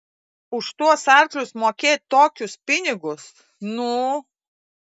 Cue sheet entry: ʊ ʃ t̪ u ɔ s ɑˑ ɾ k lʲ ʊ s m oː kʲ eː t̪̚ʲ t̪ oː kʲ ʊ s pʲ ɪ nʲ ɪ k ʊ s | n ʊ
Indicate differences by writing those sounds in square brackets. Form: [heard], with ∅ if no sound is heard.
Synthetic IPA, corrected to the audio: ʊ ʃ t̪ u ɔ s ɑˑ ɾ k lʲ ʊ s m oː kʲ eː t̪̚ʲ t̪ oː kʲ ʊ s pʲ ɪ nʲ ɪ [ɡ] ʊ s | n ʊ